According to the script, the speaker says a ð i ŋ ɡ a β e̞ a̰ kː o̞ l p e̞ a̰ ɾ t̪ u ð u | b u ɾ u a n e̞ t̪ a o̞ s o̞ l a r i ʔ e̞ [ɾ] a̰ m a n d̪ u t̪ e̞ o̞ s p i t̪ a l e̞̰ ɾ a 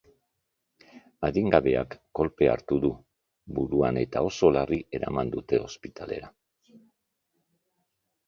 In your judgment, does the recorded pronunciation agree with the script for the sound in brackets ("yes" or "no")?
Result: yes